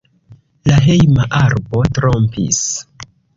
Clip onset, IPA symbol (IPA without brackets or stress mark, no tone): l